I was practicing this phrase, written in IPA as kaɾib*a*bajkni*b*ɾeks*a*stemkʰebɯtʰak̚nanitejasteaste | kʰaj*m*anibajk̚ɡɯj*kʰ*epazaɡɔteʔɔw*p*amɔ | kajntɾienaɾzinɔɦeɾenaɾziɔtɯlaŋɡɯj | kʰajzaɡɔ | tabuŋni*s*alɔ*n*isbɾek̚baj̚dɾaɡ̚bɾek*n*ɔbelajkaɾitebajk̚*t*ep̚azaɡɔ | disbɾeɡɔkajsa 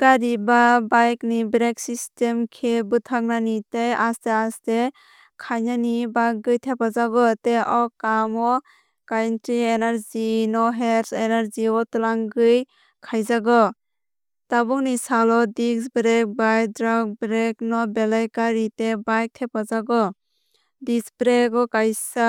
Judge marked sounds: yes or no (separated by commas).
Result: yes, yes, no, no, no, no, yes, no, yes, no